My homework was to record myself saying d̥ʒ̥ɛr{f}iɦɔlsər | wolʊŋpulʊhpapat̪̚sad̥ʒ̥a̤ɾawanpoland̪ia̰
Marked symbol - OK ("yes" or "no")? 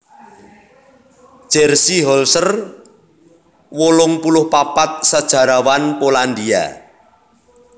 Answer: no